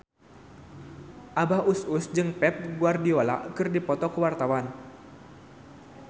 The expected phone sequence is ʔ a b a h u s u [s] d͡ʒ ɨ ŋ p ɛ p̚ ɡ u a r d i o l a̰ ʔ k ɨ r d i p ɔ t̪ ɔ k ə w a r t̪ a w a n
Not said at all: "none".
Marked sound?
s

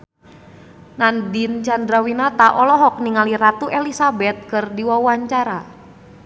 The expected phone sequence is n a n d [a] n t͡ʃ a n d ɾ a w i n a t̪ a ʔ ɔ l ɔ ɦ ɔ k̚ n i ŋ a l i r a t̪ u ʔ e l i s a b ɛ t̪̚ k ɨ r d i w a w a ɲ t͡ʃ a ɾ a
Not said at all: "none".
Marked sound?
i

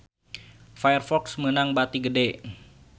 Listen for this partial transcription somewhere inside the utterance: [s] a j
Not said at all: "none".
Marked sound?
f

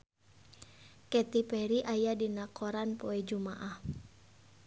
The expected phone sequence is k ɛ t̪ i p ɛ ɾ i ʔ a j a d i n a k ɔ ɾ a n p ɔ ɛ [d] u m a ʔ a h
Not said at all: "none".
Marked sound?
d͡ʒ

